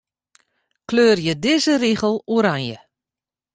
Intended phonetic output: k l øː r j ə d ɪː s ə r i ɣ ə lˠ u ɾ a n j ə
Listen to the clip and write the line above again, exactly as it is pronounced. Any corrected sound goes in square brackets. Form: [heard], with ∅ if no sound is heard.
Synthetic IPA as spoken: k l øː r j ə d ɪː [z] ə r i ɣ ə lˠ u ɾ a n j ə